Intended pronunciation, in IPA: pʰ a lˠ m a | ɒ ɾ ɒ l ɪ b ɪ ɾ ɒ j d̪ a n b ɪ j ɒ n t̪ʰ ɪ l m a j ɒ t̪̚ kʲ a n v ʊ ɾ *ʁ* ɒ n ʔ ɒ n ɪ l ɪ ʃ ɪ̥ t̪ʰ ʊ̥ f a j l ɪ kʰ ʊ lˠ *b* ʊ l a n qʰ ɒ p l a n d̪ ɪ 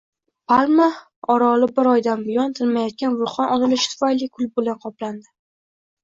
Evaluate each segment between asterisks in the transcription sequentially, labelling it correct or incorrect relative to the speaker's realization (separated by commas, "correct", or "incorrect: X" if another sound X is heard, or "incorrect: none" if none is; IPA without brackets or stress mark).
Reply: incorrect: χ, correct